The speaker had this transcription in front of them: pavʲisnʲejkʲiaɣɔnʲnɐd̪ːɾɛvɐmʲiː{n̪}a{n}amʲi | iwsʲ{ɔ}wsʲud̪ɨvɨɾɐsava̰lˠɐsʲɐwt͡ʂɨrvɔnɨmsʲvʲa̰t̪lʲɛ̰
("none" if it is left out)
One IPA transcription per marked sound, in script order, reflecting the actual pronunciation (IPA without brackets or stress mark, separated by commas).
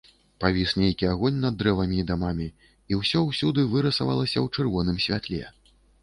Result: d̪, m, ɔ